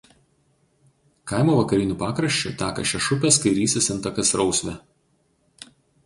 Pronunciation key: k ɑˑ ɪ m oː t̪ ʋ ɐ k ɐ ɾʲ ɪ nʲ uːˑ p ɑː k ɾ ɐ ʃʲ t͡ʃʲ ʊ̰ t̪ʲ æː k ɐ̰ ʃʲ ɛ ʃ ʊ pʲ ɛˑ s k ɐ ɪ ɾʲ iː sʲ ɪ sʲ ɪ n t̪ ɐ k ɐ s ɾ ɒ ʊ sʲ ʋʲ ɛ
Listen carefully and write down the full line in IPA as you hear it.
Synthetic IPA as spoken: k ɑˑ ɪ m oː ʋ ɐ k ɐ ɾʲ ɪ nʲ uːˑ p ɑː k ɾ ɐ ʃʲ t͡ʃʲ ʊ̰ t̪ʲ æː k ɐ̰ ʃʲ ɛ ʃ ʊ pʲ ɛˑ s k ɐ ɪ ɾʲ iː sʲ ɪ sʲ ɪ n t̪ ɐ k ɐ s ɾ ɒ ʊ sʲ ʋʲ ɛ